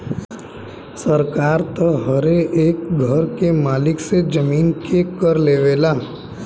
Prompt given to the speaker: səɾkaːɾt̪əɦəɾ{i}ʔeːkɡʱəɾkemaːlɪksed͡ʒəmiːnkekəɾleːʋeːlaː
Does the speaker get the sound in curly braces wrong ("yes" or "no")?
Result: yes